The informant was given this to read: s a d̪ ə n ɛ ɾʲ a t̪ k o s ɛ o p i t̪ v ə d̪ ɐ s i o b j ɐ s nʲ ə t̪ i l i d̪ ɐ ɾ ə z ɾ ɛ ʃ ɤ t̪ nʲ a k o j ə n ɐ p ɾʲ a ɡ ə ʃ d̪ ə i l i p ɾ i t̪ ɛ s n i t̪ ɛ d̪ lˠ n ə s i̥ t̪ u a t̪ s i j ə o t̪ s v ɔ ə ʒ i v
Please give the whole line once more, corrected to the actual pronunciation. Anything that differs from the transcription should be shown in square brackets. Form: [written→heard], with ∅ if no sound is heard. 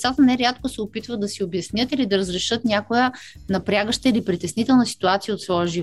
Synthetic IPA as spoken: s a [d̪→t̪] ə n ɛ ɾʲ a t̪ k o s ɛ o p i t̪ v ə d̪ ɐ s i o b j ɐ s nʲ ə t̪ i l i d̪ ɐ ɾ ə z ɾ ɛ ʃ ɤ t̪ nʲ a k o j ə n ɐ p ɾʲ a ɡ ə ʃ [d̪→t̪] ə i l i p ɾ i t̪ ɛ s n i t̪ ɛ [d̪→∅] lˠ n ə s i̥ t̪ u a t̪ s i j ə o t̪ s v ɔ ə ʒ i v